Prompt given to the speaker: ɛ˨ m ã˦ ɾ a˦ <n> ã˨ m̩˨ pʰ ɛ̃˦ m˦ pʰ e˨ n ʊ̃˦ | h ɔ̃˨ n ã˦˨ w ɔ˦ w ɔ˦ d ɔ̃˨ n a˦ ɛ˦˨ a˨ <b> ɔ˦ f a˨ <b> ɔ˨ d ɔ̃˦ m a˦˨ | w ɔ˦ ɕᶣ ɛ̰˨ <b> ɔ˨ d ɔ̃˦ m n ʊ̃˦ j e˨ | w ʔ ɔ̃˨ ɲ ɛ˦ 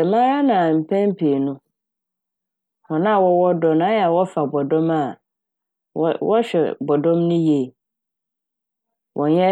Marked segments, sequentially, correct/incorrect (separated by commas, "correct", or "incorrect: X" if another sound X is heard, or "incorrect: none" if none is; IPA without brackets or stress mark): correct, incorrect: w, correct, correct